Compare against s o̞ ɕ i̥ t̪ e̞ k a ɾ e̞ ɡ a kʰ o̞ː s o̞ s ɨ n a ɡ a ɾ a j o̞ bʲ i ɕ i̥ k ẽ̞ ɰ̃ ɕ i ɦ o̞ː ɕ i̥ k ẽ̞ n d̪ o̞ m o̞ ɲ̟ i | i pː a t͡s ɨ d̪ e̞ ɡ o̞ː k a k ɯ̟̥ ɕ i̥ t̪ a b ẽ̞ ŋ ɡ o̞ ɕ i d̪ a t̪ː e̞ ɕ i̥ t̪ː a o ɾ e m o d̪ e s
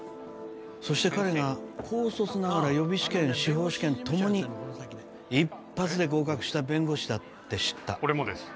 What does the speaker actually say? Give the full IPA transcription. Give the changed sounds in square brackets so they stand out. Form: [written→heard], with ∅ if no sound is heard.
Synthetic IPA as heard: s o̞ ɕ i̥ t̪ e̞ k a ɾ e̞ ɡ a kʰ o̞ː s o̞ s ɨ n a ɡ a ɾ a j o̞ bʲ i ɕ i̥ k ẽ̞ ɰ̃ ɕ i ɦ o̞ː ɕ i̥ k ẽ̞ n [d̪→t̪] o̞ m o̞ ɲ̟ i | i pː a t͡s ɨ d̪ e̞ ɡ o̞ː k a k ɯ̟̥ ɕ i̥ t̪ a b ẽ̞ ŋ ɡ o̞ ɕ i d̪ a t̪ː e̞ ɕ i̥ t̪ː a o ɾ e m o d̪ e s

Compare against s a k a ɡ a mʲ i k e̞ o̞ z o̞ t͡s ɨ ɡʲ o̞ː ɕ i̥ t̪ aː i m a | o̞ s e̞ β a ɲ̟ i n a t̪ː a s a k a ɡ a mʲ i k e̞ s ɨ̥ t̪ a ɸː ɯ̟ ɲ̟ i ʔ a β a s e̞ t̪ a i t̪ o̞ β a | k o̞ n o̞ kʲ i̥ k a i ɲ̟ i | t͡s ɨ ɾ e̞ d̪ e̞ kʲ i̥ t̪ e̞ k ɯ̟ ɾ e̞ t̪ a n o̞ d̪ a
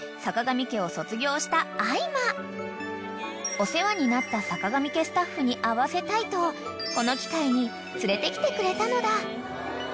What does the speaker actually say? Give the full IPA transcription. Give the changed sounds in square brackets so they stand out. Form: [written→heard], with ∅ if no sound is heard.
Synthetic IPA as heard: s a k a ɡ a mʲ i k e̞ o̞ [z→s] o̞ t͡s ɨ ɡʲ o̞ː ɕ i̥ t̪ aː i m a | o̞ s e̞ β a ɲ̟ i n a t̪ː a s a k a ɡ a mʲ i k e̞ s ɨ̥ t̪ a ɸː ɯ̟ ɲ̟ i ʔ a β a s e̞ t̪ a i t̪ o̞ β a | k o̞ n o̞ kʲ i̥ k a i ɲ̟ i | t͡s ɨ ɾ e̞ [d̪→t̪] e̞ kʲ i̥ t̪ e̞ k ɯ̟ ɾ e̞ t̪ a n o̞ d̪ a

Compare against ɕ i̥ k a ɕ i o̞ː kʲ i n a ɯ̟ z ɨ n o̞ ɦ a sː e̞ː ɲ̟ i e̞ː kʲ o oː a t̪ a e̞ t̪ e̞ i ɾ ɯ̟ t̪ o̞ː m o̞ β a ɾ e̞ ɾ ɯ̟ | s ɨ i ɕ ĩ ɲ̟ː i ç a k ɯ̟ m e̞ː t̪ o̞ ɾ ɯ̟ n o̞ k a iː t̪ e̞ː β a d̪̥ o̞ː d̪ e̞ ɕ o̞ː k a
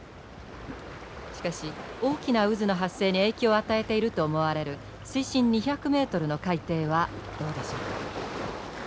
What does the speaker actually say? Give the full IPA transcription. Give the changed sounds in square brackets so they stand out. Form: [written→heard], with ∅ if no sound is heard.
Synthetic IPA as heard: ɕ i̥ k a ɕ i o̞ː kʲ i n a ɯ̟ z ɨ n o̞ ɦ a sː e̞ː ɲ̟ i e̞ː kʲ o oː a t̪ a e̞ t̪ e̞ i ɾ ɯ̟ t̪ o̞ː m o̞ β a ɾ e̞ ɾ ɯ̟ | s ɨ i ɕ ĩ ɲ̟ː i ç a k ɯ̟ m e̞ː t̪ o̞ ɾ ɯ̟ n o̞ k a [iː→i] t̪ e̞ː β a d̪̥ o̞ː d̪ e̞ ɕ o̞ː k a

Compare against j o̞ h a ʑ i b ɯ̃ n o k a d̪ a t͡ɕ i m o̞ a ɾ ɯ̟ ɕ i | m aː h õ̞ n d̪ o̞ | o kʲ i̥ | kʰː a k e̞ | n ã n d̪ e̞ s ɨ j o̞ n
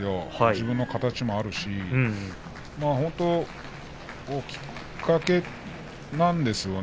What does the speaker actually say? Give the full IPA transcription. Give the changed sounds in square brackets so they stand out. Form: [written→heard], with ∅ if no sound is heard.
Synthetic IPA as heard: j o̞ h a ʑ i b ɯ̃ [n→nː] o k a [d̪→t̪] a t͡ɕ i m o̞ a ɾ ɯ̟ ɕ i | m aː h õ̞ n [d̪→t̪] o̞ | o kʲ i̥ | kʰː a k e̞ | n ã n d̪ e̞ s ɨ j o̞ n

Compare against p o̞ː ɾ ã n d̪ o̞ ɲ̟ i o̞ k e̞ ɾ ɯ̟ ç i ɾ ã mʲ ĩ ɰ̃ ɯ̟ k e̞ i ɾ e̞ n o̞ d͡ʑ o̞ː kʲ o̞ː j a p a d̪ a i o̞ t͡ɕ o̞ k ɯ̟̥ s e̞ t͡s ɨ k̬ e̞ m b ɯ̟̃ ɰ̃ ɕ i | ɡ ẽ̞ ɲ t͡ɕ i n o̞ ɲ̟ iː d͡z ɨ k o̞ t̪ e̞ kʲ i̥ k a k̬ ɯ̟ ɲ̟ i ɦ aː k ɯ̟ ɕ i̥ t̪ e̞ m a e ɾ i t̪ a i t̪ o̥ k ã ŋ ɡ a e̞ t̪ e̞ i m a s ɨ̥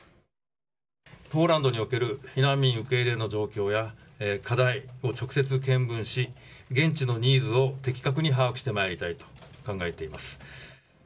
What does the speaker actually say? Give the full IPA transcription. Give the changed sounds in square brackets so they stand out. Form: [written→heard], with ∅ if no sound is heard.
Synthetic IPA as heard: p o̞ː ɾ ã n d̪ o̞ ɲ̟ i o̞ k e̞ ɾ ɯ̟ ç i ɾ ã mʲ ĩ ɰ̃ ɯ̟ k e̞ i ɾ e̞ n o̞ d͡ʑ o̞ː kʲ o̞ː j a [p→k] a d̪ a i o̞ t͡ɕ o̞ k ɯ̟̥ s e̞ t͡s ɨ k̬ [e̞→ẽ̞] m b ɯ̟̃ ɰ̃ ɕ i | ɡ ẽ̞ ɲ t͡ɕ i n o̞ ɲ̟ iː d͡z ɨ [k→∅] o̞ t̪ e̞ kʲ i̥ k a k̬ ɯ̟ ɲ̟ i ɦ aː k ɯ̟ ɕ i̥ t̪ e̞ m a e ɾ i t̪ a i t̪ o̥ k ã ŋ ɡ a e̞ t̪ e̞ i m a s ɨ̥

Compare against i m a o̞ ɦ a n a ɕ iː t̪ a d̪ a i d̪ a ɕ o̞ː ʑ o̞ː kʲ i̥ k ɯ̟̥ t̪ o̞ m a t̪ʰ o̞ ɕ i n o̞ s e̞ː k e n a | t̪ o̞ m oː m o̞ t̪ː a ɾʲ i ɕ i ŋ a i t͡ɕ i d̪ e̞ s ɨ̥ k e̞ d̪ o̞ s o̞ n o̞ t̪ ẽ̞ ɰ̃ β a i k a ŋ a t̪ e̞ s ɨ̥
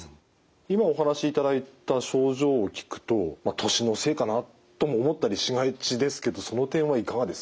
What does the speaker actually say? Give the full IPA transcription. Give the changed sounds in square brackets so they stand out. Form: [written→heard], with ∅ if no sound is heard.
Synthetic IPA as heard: i m a o̞ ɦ a n a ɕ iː t̪ a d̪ a i [d̪→t̪] a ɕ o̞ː ʑ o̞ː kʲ i̥ k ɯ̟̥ t̪ o̞ m a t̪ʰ o̞ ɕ i n o̞ s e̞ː k [e→a] n a | t̪ o̞ m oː m o̞ t̪ː a ɾʲ i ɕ i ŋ a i t͡ɕ i d̪ e̞ s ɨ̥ k e̞ d̪ o̞ s o̞ n o̞ t̪ ẽ̞ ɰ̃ β a i k a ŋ a [t̪→d̪] e̞ s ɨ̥

